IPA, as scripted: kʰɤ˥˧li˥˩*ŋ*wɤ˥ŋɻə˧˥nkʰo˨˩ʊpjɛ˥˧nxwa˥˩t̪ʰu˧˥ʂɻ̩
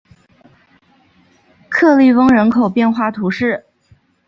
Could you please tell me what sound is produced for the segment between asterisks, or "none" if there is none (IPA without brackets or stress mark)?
none